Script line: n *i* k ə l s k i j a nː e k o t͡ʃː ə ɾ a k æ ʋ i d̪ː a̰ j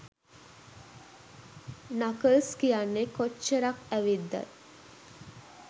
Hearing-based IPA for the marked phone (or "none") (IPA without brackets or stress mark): a